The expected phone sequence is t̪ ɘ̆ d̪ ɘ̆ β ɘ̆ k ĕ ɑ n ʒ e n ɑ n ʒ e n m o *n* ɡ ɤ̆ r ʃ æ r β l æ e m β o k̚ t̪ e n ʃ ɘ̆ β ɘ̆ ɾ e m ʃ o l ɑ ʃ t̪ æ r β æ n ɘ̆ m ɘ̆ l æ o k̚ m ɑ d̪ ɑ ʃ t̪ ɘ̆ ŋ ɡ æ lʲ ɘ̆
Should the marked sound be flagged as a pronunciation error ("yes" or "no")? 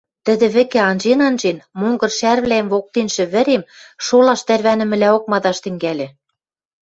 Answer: yes